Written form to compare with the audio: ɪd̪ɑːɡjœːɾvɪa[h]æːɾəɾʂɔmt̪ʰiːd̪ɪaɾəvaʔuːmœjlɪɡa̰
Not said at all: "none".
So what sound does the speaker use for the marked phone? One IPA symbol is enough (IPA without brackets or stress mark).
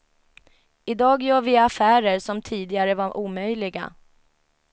f